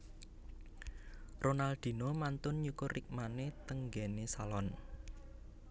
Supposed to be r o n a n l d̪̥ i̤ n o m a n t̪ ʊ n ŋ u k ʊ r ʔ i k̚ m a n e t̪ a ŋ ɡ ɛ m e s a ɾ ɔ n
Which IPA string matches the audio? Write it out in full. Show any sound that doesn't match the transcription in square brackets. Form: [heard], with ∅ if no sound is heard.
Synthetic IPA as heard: r o n a [∅] l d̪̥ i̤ n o m a n t̪ ʊ n [ɲ] u k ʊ r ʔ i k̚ m a n e t̪ [ə] ŋ ɡ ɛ [n] e s a [l] ɔ n